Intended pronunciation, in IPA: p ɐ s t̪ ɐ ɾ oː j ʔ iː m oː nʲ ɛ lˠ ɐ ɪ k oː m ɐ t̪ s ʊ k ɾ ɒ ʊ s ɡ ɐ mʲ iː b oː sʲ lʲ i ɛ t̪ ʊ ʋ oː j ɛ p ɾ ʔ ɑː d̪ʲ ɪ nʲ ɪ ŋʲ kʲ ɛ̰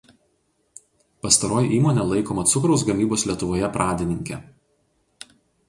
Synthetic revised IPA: p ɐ s t̪ ɐ ɾ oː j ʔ iː m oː nʲ ɛ lˠ ɐ ɪ k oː m ɐ t̪ s ʊ k ɾ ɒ ʊ s ɡ ɐ mʲ iː b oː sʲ lʲ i ɛ t̪ ʊ ʋ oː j ɛ p ɾ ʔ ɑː d̪ʲ ɪ nʲ ɪ ŋʲ kʲ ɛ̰